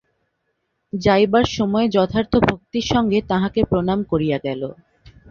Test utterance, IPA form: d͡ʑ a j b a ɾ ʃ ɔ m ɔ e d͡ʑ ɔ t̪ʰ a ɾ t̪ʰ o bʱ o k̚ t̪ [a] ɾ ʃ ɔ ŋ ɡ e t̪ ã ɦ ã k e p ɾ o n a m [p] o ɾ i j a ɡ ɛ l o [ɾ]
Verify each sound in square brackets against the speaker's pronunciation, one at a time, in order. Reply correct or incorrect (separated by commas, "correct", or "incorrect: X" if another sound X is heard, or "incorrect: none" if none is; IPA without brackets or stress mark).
incorrect: i, incorrect: k, incorrect: none